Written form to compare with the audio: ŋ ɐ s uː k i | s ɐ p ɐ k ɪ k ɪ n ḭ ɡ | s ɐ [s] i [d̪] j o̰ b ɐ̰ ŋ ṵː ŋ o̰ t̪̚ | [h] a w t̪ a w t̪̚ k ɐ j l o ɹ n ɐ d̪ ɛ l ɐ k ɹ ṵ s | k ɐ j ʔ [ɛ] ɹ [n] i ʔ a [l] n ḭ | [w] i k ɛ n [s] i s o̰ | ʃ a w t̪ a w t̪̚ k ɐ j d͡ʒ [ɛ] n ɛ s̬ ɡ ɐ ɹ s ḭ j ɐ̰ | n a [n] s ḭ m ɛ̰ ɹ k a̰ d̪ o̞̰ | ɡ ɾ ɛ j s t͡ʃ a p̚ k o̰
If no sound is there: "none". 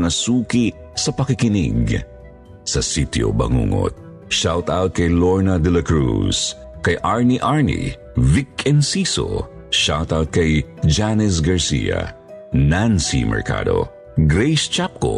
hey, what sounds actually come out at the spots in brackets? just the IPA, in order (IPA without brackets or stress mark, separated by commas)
s, t̪, ʃ, a, n, ɹ, v, s, a, n